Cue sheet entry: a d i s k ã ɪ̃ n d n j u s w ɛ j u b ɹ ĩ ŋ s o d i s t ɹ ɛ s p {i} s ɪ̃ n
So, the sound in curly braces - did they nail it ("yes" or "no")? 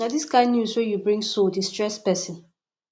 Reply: no